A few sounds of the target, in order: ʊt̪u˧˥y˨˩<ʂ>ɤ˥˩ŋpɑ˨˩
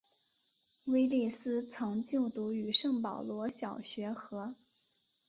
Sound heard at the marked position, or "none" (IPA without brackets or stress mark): ʂ